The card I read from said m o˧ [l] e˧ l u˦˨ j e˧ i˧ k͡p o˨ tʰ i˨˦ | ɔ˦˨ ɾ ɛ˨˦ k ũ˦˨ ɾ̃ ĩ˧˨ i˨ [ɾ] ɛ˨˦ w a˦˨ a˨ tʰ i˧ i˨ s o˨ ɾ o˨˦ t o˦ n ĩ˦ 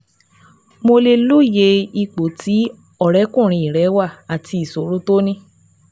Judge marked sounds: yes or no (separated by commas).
yes, yes